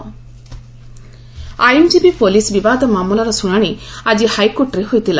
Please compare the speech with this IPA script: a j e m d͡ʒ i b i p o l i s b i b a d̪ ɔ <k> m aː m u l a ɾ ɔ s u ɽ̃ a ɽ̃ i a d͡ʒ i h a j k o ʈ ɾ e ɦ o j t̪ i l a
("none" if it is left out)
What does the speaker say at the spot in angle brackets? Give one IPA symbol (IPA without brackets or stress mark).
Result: none